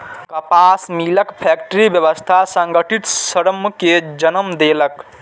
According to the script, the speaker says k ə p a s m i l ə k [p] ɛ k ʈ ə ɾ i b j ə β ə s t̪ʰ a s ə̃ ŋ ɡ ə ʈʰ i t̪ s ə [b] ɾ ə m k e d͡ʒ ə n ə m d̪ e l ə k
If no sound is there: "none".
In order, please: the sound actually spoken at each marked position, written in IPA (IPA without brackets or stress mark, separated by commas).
pʰ, none